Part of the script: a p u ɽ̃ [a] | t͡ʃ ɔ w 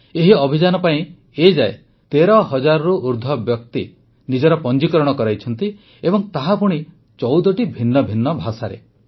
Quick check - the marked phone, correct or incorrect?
incorrect